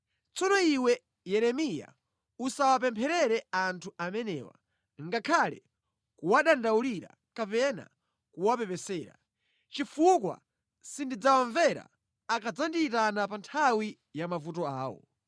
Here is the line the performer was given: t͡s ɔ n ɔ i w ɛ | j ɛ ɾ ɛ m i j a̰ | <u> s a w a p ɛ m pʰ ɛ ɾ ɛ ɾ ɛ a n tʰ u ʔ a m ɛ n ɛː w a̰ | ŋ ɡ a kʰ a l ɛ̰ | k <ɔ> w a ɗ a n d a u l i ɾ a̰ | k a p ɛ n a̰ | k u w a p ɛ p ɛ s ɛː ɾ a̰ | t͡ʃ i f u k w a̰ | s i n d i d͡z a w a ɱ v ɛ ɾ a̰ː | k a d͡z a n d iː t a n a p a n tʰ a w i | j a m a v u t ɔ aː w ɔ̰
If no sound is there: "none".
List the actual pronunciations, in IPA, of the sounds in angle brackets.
u, u

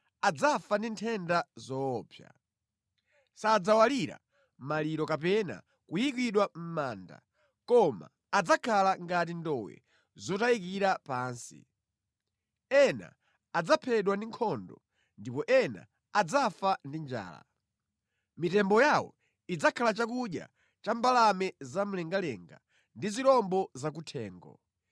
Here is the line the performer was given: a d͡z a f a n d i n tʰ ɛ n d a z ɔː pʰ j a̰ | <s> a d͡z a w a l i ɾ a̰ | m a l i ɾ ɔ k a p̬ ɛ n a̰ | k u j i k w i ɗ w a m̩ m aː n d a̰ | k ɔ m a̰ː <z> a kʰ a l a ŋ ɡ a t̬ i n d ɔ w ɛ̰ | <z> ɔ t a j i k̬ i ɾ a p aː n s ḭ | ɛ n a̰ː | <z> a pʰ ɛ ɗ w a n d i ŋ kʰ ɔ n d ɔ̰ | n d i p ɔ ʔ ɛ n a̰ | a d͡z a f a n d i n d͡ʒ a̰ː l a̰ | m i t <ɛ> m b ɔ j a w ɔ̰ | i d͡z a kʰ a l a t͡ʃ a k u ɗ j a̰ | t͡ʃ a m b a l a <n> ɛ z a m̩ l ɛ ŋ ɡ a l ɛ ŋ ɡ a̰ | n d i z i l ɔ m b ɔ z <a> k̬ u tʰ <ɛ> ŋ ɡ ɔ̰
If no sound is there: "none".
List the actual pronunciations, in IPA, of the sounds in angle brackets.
s, d͡z, z, d͡z, ɛ, m, a, ɛː

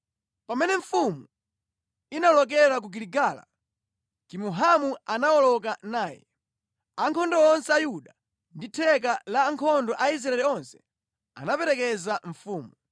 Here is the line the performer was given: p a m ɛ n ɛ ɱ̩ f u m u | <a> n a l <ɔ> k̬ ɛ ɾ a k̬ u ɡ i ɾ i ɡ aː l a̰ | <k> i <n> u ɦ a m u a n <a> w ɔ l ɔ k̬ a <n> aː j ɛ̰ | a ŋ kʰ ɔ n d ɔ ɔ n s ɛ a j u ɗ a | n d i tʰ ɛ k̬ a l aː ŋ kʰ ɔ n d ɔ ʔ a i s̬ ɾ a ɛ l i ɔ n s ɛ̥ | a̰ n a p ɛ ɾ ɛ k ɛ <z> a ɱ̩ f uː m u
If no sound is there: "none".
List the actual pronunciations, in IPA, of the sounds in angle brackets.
i, ɔ, k, m, a, n, z

